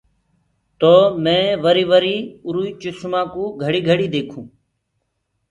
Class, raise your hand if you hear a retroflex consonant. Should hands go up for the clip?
yes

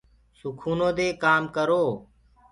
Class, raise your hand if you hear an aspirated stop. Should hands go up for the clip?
yes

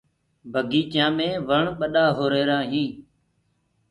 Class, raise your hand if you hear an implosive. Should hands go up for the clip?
yes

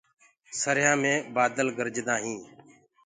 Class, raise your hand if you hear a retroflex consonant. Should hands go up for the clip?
no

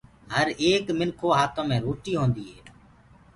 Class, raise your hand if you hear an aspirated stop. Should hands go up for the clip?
yes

